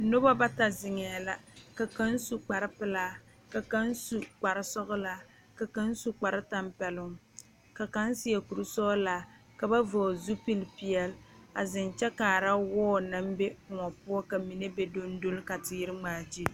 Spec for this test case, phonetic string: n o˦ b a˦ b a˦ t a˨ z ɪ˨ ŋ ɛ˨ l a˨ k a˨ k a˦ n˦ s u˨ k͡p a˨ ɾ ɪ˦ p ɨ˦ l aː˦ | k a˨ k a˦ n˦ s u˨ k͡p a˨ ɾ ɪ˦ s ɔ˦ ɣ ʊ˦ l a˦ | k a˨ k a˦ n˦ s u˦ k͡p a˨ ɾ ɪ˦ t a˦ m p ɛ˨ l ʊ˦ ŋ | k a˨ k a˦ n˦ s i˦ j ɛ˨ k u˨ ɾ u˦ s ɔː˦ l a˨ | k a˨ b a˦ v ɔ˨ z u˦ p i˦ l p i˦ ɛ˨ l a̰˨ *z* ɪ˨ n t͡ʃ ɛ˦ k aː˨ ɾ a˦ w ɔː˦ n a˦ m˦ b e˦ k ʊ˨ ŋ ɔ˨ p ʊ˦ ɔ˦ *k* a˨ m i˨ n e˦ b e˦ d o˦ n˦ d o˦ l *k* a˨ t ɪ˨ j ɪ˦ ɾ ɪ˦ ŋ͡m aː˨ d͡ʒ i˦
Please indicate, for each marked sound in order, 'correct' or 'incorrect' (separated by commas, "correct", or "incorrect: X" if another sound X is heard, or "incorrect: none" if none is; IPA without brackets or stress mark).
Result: correct, correct, correct